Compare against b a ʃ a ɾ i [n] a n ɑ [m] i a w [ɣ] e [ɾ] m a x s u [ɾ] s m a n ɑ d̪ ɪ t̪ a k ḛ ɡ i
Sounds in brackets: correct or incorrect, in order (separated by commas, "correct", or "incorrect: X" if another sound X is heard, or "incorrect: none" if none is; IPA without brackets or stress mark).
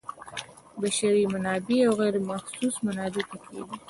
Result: incorrect: m, incorrect: b, correct, correct, incorrect: none